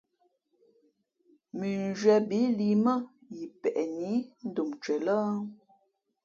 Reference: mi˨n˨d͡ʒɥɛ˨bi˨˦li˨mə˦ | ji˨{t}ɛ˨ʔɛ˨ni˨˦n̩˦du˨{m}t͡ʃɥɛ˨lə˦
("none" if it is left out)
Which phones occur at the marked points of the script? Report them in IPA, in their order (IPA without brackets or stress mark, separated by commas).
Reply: p, m